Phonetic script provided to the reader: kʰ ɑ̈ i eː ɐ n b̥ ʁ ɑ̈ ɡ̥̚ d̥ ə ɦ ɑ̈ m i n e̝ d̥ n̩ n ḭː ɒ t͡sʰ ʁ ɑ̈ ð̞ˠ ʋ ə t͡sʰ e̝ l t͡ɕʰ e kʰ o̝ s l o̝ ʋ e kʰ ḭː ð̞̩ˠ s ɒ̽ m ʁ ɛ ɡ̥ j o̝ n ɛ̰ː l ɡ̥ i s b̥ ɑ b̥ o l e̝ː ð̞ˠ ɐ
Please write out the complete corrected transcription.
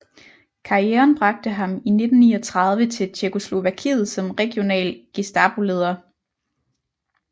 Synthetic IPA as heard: kʰ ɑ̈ i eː ɐ n b̥ ʁ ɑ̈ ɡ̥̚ d̥ ə ɦ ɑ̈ m i n e̝ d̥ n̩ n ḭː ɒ t͡sʰ ʁ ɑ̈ ð̞ˠ ʋ ə t͡sʰ e̝ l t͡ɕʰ e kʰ o̝ s l o̝ ʋ æ kʰ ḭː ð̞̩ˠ s ɒ̽ m ʁ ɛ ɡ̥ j o̝ n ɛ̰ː l ɡ̥ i s d̥ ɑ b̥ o l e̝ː ð̞ˠ ɐ